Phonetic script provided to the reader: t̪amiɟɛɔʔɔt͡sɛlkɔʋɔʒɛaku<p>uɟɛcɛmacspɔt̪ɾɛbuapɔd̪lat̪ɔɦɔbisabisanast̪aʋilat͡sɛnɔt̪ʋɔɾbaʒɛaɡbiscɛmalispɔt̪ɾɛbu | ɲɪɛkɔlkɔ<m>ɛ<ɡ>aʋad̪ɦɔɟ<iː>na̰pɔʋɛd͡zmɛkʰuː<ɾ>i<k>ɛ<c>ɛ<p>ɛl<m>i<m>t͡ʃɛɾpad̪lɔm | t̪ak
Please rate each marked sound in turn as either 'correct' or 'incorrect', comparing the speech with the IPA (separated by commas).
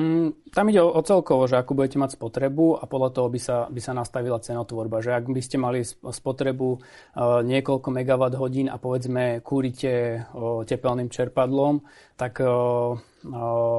incorrect, correct, correct, correct, correct, incorrect, correct, correct, incorrect, correct